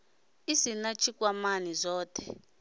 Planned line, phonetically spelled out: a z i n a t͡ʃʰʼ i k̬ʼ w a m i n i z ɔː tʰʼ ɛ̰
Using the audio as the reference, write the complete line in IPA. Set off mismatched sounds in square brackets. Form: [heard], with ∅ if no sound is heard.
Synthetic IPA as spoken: [i] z i n a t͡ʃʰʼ i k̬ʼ w a m [a] n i z ɔː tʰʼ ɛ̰

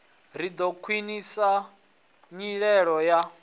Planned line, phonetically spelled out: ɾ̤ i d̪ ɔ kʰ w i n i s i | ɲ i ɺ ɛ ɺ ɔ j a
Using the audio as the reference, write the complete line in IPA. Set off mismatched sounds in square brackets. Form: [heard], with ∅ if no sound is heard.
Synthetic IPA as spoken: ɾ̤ i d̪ ɔ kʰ w i n i s [a] | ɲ i ɺ ɛ ɺ ɔ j a

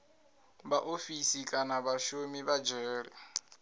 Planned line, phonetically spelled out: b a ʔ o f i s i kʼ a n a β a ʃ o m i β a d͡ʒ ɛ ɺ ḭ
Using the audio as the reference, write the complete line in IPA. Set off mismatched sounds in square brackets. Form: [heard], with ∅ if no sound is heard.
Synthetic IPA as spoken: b a ʔ o f i s i kʼ a n a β a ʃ o m i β a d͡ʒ [ɛː] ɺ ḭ

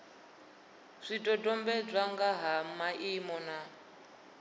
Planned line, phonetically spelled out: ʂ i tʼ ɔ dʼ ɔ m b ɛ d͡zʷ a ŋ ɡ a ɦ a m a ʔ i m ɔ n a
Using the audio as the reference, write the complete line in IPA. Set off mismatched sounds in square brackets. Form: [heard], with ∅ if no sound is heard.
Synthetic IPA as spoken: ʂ i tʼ ɔ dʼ ɔ m b ɛ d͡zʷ a ŋ ɡ a ɦ a m a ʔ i m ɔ n a

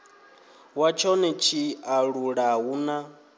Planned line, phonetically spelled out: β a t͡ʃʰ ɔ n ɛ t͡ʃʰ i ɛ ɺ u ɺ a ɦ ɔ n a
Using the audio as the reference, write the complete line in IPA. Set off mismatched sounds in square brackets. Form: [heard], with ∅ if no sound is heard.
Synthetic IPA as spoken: [w] a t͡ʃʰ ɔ n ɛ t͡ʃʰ i [a] ɺ u ɺ a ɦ [u] n a

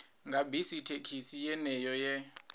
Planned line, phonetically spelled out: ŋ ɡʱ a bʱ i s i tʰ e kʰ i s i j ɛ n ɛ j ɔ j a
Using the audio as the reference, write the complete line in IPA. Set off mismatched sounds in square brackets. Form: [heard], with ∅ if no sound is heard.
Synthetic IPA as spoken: ŋ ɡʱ a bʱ i s i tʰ e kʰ i s i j ɛ n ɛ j ɔ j [ɛ]

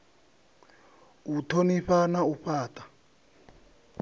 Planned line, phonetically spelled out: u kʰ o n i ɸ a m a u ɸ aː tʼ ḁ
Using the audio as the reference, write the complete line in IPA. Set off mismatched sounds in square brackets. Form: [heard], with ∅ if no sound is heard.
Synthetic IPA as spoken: u [tʰ] o n i ɸ a [n] a u ɸ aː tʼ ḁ

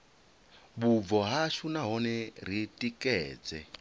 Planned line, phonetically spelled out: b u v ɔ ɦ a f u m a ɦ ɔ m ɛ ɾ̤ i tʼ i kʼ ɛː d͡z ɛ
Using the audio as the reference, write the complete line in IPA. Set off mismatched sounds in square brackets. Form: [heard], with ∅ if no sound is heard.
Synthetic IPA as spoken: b u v ɔ ɦ a [ʃ] u [n] a ɦ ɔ [n] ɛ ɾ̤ i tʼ i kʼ ɛː d͡z ɛ

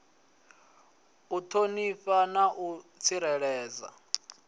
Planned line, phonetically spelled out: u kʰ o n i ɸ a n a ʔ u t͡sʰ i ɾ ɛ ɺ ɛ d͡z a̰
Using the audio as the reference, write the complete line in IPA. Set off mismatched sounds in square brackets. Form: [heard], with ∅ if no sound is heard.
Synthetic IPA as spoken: u [tʰ] o n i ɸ a n a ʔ u t͡sʰ i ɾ ɛ ɺ [ɛː] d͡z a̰

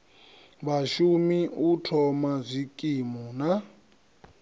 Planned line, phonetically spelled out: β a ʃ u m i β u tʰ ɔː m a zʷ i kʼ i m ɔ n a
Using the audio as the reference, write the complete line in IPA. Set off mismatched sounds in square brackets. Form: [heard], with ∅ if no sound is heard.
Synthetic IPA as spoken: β a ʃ u m i [∅] u tʰ [ɔ] m a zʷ i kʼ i m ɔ n a

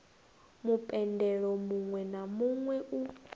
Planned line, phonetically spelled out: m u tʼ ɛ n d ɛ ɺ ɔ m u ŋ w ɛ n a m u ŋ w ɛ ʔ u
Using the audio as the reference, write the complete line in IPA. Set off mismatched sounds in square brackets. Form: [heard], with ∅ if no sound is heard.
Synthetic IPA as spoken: m u [pʼ] ɛ n d ɛ ɺ ɔ m u ŋ w ɛ n a m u ŋ w ɛ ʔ u

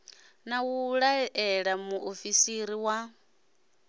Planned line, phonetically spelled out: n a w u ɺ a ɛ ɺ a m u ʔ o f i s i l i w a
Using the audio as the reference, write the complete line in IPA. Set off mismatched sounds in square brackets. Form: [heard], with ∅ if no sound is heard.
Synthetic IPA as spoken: n a w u ɺ a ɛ ɺ a m u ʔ o f i s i [ɾ] i w a

